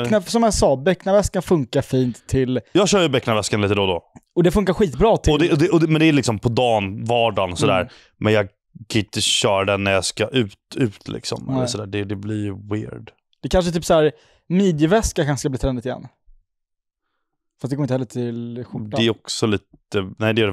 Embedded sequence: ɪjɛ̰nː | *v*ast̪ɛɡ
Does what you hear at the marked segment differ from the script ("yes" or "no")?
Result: yes